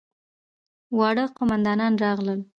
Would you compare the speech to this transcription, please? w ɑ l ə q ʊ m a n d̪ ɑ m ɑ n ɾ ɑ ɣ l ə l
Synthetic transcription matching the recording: w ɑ ɽ ə q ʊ m a n d̪ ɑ n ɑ n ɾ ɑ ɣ l ə l